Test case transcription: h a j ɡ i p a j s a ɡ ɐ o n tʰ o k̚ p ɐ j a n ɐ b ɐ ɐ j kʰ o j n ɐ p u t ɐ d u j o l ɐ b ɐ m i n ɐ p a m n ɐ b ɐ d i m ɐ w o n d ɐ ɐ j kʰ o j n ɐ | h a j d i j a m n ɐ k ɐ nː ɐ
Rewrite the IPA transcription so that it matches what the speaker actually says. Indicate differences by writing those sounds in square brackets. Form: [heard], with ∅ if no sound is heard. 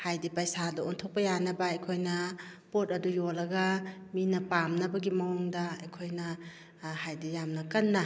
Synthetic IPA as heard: h a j [d] i p a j s a [d] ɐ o n tʰ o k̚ p ɐ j a n ɐ b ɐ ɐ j kʰ o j n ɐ p [o] t ɐ d u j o l ɐ [ɡ] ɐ m i n ɐ p a m n ɐ b ɐ [ɡ] i m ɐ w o [ŋ] d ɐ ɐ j kʰ o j n ɐ | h a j d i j a m n ɐ k ɐ nː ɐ